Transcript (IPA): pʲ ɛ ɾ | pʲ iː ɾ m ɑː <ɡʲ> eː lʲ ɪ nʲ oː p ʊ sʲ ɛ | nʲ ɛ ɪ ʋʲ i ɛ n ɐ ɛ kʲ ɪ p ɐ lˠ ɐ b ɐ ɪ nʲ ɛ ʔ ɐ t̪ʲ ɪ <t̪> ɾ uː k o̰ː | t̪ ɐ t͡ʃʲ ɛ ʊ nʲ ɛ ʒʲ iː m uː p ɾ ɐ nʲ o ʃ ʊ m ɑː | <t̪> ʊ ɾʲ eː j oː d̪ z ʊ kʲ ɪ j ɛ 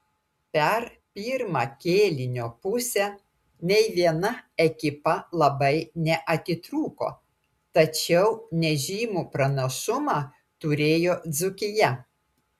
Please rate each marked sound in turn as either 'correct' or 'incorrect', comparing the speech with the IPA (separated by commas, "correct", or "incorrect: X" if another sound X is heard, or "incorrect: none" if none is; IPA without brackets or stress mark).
incorrect: kʲ, correct, correct